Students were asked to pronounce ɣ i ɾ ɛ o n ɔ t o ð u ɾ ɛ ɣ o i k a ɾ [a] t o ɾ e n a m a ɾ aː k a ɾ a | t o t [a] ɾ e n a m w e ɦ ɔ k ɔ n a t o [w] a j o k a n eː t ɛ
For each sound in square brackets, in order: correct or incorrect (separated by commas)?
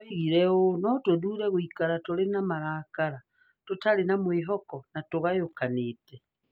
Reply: correct, correct, incorrect